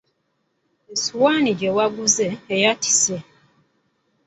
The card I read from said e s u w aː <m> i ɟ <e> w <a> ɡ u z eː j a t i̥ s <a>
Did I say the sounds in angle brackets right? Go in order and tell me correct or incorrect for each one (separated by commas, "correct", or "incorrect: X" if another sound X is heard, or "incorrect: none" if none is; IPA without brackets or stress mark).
incorrect: n, correct, correct, incorrect: e